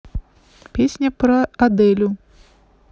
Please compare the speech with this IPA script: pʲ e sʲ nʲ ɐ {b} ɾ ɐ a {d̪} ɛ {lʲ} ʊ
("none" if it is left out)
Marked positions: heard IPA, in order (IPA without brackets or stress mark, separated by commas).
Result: p, d̪, lʲ